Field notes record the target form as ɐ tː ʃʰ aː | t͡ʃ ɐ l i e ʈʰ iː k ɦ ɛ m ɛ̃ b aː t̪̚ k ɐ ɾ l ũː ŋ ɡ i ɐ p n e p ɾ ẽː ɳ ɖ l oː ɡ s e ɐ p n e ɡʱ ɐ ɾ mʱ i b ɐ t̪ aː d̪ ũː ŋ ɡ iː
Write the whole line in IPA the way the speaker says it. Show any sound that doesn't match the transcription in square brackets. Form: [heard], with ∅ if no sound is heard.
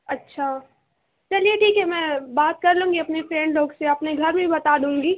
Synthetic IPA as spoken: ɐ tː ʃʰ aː | t͡ʃ ɐ l i e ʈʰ iː k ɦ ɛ m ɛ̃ b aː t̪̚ k ɐ ɾ l ũː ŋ ɡ i ɐ p n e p ɾ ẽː ɳ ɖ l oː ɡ s e ɐ p n e ɡʱ ɐ ɾ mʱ i b ɐ t̪ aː d̪ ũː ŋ ɡ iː